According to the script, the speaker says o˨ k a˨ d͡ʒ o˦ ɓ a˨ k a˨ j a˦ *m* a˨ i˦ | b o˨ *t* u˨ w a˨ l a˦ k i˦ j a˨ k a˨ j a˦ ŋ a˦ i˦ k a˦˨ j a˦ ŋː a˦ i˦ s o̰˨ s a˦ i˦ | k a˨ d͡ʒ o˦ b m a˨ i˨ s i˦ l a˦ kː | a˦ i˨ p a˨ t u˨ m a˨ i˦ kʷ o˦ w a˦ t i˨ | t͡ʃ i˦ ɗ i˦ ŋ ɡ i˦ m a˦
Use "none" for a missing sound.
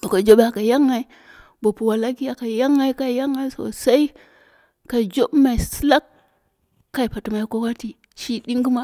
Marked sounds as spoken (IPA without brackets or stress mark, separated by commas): ŋ, p